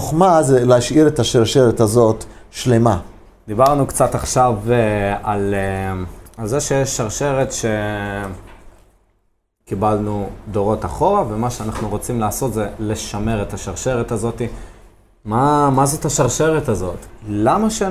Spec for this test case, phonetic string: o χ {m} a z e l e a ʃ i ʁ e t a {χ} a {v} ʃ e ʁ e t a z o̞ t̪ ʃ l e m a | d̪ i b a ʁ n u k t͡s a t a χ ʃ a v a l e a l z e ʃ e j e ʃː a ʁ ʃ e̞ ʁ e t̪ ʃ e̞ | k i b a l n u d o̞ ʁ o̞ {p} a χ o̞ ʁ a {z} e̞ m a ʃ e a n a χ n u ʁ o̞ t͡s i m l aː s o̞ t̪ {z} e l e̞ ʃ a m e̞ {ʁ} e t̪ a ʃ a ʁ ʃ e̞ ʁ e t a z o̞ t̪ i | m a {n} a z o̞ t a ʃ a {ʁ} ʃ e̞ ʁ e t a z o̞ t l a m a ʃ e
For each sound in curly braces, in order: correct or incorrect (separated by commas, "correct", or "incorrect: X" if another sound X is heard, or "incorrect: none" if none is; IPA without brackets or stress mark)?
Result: correct, incorrect: ʃ, incorrect: ʁ, incorrect: t, incorrect: v, correct, correct, incorrect: m, correct